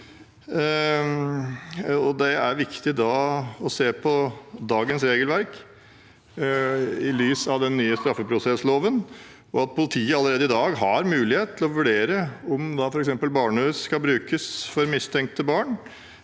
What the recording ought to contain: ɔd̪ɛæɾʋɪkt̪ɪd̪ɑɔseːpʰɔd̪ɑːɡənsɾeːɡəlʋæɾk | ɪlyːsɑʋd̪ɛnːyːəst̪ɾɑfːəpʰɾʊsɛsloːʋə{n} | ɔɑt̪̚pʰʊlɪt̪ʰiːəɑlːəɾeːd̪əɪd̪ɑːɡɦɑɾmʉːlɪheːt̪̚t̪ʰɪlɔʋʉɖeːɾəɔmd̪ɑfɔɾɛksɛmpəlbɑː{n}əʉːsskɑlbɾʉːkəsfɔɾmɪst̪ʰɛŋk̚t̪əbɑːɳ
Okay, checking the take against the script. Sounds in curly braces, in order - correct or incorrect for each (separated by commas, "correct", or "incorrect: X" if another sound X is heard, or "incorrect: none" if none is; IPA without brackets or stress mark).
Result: correct, incorrect: ɳ